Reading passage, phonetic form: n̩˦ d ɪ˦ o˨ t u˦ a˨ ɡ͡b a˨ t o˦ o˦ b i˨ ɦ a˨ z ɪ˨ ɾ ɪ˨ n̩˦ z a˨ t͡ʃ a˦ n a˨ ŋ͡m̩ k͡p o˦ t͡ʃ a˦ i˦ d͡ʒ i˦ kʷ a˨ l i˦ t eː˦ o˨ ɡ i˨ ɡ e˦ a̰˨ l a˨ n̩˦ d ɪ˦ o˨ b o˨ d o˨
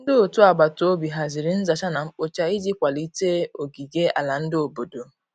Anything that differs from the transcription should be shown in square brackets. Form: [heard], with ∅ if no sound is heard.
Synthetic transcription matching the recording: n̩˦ d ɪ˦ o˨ t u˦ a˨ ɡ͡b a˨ t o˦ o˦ b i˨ ɦ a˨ z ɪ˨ ɾ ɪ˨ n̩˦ z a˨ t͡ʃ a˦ n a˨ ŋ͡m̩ k͡p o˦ t͡ʃ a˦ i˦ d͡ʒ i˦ kʷ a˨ l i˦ t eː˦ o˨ ɡ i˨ ɡ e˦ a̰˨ l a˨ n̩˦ d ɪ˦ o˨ b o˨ d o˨